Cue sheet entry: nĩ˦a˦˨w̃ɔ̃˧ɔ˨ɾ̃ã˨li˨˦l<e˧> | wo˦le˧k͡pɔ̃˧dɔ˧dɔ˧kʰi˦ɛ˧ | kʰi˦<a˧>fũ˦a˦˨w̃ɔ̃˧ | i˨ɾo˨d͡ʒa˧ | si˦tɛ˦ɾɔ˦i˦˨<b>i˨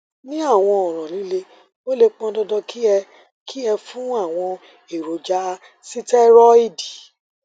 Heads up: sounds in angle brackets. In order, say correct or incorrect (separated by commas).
correct, incorrect, incorrect